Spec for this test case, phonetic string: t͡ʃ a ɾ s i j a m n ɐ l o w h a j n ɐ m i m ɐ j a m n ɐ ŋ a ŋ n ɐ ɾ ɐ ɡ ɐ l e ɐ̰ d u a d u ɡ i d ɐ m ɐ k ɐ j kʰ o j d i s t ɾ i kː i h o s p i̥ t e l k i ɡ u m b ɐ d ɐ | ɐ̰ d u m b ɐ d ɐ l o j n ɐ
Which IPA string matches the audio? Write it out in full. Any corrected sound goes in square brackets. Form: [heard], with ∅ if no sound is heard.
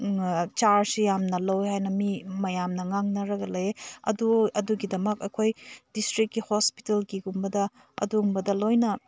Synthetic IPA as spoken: t͡ʃ a ɾ s i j a m n ɐ l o w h a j n ɐ m i m ɐ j a m n ɐ ŋ a ŋ n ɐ ɾ ɐ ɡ ɐ l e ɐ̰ d u [ɐ] d u ɡ i d ɐ m ɐ k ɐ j kʰ o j d i s t ɾ i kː i h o s p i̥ t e l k i ɡ u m b ɐ d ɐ | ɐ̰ d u m b ɐ d ɐ l o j n ɐ